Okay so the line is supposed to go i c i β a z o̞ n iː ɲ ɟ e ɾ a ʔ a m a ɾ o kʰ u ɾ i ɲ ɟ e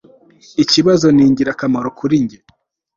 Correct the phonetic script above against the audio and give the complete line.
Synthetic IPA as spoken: i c i β a z o̞ n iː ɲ ɟ i ɾ a k a m a ɾ o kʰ u ɾ i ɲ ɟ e